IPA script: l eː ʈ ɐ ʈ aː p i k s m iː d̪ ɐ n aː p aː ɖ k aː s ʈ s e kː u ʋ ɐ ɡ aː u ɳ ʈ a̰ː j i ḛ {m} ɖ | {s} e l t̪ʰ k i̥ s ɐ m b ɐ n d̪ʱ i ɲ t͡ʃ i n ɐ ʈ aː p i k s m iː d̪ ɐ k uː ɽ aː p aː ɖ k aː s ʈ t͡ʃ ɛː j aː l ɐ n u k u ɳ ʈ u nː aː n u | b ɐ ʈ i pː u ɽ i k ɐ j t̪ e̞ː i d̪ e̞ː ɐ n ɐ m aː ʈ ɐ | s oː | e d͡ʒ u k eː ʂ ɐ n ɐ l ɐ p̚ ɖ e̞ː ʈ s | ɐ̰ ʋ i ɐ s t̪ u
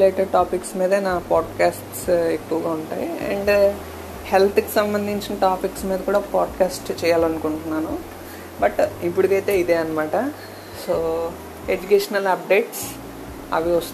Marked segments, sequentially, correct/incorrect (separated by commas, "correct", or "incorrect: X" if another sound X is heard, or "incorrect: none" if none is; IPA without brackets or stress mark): incorrect: ɳ, incorrect: h